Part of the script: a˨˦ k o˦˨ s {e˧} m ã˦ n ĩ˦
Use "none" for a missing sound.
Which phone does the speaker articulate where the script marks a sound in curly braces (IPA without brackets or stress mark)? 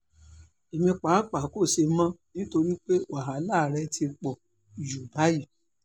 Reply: e˧